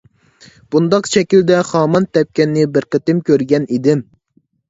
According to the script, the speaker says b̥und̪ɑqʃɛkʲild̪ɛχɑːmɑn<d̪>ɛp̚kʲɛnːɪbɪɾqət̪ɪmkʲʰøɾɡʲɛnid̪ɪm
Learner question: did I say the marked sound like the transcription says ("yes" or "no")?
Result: no